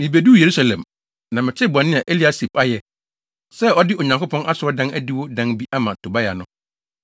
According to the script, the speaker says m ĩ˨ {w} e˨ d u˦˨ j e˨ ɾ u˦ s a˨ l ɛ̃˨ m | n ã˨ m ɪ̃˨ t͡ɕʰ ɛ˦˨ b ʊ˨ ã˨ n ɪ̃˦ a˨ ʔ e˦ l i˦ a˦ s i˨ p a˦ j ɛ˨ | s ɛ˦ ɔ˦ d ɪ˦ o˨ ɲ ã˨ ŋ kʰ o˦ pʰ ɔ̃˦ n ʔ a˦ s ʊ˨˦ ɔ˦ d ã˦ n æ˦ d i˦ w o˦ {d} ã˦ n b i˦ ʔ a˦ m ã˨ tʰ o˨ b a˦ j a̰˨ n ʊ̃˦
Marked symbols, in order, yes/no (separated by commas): no, yes